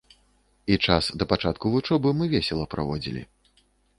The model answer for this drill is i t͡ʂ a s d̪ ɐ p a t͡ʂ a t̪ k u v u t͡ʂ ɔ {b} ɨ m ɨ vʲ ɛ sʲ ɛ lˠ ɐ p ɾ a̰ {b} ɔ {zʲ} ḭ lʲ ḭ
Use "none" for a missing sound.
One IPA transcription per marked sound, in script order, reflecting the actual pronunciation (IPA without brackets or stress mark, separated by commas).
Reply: b, v, d͡zʲ